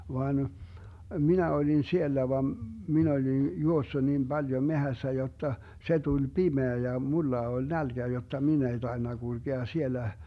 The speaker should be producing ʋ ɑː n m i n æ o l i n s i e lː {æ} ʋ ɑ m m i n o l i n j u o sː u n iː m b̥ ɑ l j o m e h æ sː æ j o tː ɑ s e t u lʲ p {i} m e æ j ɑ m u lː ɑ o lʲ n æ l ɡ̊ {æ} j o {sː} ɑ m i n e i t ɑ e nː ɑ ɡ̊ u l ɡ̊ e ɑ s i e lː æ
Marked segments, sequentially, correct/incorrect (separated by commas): correct, correct, correct, incorrect